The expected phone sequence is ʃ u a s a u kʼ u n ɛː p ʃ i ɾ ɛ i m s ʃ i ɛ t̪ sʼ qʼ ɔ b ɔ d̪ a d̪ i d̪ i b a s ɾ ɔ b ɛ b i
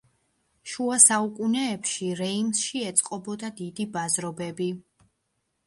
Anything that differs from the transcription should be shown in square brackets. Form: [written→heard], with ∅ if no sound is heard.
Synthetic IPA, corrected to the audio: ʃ u a s a u kʼ u n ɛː p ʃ i ɾ ɛ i m s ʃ i ɛ t̪ sʼ qʼ ɔ b ɔ d̪ a d̪ i d̪ i b a [s→z] ɾ ɔ b ɛ b i